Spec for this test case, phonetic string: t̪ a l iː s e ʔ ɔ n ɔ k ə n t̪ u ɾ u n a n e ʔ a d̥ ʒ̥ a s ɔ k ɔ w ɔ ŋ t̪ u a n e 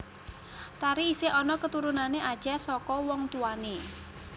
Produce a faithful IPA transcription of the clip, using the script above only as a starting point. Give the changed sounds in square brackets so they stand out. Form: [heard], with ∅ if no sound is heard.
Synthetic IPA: t̪ a [ɾ] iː s e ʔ ɔ n ɔ k ə [∅] t̪ u ɾ u n a n e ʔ a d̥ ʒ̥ a s ɔ k ɔ w ɔ ŋ t̪ u a n e